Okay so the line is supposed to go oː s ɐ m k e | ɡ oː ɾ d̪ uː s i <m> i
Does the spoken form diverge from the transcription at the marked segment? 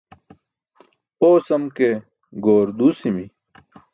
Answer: no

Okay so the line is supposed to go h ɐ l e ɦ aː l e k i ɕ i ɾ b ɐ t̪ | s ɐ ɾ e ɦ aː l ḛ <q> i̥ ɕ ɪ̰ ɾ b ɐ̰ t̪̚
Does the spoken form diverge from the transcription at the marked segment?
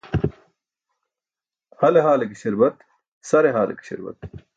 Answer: yes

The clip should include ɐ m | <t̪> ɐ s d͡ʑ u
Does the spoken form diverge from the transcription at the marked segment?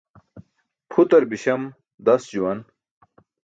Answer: yes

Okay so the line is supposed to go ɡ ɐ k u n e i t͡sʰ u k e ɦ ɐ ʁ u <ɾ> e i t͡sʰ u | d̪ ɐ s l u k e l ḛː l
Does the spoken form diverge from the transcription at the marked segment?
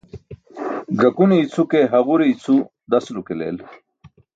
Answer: no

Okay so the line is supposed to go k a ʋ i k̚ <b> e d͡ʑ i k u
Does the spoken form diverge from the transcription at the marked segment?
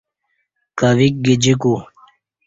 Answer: yes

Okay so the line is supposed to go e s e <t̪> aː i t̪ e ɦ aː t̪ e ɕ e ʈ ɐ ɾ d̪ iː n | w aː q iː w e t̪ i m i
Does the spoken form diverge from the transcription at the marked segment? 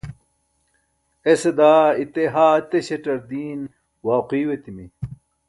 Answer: yes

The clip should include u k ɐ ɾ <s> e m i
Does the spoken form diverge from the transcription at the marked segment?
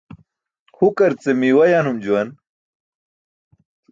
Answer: yes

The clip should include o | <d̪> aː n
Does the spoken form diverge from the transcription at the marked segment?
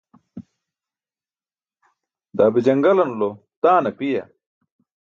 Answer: yes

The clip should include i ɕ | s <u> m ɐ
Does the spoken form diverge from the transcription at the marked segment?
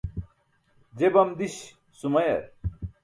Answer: no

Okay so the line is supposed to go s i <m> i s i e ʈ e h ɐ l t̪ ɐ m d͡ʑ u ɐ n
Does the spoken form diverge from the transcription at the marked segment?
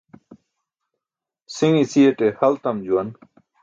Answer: yes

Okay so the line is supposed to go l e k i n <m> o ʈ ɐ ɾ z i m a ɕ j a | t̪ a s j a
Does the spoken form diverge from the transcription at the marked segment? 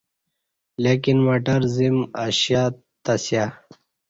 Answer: no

